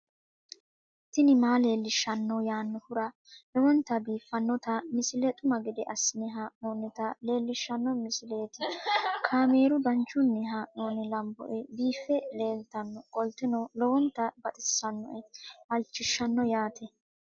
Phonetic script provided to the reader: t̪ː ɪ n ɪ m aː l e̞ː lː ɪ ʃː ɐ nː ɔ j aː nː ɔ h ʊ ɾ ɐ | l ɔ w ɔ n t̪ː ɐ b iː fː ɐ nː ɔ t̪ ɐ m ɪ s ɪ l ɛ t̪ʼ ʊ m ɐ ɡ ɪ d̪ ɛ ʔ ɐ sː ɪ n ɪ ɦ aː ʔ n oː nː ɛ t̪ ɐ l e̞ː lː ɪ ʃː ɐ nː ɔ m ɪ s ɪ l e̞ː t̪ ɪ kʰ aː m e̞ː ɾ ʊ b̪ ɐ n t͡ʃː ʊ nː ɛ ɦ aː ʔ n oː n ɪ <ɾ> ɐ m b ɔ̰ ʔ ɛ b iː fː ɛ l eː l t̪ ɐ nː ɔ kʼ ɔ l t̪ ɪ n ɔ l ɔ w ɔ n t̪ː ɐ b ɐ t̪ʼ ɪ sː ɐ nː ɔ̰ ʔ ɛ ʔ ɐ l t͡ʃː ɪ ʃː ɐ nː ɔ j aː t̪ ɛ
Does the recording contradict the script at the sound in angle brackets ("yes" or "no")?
yes